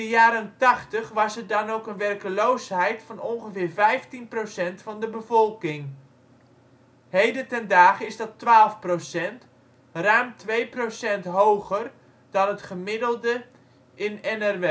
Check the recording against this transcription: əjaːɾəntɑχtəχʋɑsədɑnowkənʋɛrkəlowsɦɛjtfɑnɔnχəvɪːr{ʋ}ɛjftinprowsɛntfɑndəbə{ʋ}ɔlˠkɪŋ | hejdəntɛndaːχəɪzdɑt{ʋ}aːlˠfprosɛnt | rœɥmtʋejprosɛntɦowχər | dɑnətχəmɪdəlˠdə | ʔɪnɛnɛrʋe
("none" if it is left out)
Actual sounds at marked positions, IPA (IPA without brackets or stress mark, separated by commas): v, v, ʋ